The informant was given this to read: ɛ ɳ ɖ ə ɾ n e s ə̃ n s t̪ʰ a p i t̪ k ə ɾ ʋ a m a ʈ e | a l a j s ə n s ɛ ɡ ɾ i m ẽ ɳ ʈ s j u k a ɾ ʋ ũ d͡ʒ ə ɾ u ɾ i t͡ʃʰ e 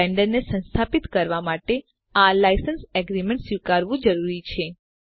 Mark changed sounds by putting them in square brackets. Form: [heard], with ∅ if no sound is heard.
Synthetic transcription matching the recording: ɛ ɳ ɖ ə ɾ n e s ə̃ n s t̪ʰ a p i t̪ k ə ɾ ʋ a m a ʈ e | a l a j s ə n s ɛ ɡ ɾ i m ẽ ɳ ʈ s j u k a ɾ ʋ ũ d͡ʒ ə ɾ u ɾ i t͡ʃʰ e